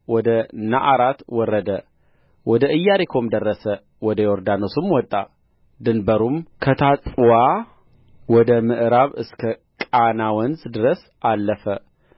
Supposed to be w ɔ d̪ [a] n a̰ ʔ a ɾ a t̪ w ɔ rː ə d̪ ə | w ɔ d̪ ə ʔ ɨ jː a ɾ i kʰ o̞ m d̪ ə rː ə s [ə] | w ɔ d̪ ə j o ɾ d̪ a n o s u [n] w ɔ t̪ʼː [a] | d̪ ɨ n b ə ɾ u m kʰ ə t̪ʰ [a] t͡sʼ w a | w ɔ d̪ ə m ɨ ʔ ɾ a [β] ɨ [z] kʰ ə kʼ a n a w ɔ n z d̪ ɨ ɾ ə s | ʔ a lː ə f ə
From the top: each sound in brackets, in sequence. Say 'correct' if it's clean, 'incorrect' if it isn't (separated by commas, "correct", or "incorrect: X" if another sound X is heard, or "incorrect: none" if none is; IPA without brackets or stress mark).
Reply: incorrect: ə, correct, incorrect: m, correct, correct, correct, incorrect: s